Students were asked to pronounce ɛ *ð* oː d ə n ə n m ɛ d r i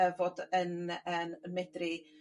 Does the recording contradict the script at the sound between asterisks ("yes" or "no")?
yes